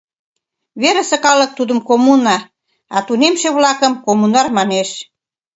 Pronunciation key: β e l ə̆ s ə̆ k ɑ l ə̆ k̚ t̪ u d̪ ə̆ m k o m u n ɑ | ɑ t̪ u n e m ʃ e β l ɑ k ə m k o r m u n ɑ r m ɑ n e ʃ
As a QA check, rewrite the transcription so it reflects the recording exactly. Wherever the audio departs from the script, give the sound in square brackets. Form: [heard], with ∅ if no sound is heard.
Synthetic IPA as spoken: β e [ɾ] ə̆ s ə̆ k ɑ l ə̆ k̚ t̪ u d̪ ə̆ m k o m u n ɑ | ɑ t̪ u n e m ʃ e β l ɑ k ə m k o [∅] m u n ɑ r m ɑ n e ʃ

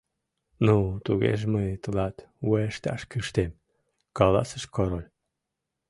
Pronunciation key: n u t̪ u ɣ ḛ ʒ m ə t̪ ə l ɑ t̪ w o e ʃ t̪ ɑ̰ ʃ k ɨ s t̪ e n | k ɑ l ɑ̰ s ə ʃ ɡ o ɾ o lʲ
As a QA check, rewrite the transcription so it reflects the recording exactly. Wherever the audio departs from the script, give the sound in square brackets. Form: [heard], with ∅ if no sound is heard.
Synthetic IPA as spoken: n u t̪ u ɣ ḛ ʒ m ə t̪ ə l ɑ t̪ w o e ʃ t̪ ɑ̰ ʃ k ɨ [ʃ] t̪ e [m] | k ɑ l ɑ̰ s ə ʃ [k] o ɾ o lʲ

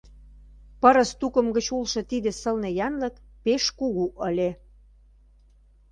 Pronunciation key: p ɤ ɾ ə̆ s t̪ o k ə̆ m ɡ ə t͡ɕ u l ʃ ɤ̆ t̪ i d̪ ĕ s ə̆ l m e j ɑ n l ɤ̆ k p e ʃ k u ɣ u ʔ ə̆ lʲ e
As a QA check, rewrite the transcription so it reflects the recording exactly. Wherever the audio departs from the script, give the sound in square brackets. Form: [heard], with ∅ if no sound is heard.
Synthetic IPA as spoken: p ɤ ɾ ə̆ s t̪ [u] k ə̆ m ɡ ə t͡ɕ u l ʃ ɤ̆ t̪ i d̪ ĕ s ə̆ l [n] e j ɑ n l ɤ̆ k p e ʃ k u ɣ u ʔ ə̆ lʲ e

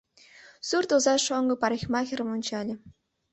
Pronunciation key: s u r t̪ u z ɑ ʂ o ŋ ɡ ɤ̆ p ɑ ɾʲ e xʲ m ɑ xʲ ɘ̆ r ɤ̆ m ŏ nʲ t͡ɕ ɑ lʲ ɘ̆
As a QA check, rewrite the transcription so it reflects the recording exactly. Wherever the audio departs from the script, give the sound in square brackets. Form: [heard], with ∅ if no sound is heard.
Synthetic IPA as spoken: s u r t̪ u z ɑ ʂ o ŋ ɡ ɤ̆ p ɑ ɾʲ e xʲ m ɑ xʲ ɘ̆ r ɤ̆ m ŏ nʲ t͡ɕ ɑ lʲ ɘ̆

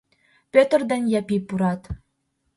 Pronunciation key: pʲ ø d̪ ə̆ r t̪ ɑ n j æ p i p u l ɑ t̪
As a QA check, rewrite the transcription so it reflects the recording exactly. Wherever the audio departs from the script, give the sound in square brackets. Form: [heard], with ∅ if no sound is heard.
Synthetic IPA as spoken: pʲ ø [t̪] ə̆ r [d̪] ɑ n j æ p i p u [ɾ] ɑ t̪

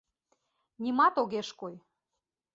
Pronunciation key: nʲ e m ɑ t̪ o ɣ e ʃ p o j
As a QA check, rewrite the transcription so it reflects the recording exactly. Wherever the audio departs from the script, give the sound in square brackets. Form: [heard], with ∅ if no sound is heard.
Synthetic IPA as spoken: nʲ [i] m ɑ t̪ o ɣ e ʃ [k] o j

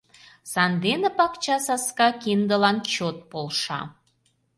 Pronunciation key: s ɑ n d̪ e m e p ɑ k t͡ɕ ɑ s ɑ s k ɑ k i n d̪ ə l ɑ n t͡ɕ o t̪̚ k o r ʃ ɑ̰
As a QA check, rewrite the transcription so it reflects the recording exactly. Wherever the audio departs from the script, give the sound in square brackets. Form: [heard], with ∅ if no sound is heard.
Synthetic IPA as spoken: s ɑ n d̪ e [n] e p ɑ k t͡ɕ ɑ s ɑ s k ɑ k i n d̪ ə l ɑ n t͡ɕ o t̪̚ [p] o [l] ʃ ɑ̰

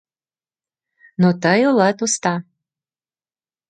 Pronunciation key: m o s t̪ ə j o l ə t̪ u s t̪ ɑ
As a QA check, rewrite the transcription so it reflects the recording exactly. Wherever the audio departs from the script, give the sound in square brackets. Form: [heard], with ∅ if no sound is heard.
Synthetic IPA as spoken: [n] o [∅] t̪ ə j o l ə t̪ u s t̪ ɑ

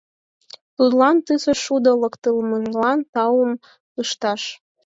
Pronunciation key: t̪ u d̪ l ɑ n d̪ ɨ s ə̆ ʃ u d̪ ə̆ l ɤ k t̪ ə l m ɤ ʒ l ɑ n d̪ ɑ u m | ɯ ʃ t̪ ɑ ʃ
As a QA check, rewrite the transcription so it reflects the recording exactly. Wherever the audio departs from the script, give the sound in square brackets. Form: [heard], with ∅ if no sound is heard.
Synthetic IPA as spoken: t̪ u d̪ l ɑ n [t̪] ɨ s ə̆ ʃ u d̪ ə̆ l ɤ k t̪ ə l m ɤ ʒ l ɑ n [t̪] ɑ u m | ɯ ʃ t̪ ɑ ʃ

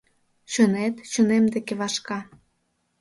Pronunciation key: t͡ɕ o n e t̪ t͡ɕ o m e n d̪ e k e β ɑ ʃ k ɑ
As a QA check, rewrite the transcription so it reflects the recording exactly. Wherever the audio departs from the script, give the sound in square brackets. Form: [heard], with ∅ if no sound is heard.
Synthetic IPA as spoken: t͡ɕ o n e t̪ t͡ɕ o [n] e [m] d̪ e k e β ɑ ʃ k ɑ

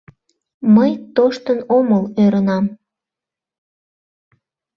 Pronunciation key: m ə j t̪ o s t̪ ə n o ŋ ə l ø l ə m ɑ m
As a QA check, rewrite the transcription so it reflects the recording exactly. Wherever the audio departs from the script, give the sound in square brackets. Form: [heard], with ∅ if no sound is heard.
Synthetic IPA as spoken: m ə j t̪ o [ʃ] t̪ ə n o [m] ə l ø [ɾ] ə [n] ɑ m

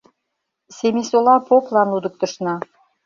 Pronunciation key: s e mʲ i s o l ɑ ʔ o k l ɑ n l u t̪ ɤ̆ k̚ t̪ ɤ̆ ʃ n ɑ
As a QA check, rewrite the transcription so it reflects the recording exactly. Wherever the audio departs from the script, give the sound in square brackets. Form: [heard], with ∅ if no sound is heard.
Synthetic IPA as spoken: s e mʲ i s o l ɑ [p] o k l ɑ n l u [d̪] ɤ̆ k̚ t̪ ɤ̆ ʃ n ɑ

